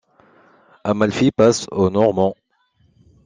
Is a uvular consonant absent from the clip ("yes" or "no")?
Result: no